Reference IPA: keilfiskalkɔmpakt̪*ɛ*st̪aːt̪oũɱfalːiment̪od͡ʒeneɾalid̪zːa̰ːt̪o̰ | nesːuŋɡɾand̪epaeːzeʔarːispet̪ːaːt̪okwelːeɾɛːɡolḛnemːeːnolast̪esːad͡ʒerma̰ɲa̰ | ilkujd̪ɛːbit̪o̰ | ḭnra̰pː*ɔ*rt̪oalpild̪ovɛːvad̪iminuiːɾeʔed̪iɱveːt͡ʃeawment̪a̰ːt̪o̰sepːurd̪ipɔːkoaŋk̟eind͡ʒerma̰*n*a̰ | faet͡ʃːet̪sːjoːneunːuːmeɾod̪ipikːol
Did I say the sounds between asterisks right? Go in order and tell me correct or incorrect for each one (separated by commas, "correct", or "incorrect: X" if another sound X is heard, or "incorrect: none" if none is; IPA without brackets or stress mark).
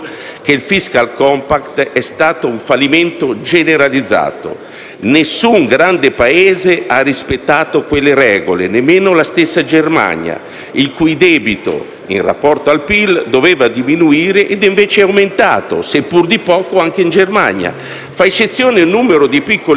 correct, correct, incorrect: ɲ